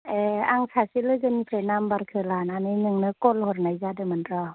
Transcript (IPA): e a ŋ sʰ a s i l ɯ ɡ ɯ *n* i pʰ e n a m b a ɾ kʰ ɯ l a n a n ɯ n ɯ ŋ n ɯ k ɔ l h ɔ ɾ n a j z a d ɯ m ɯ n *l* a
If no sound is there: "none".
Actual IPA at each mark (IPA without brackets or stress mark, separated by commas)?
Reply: n, ɾ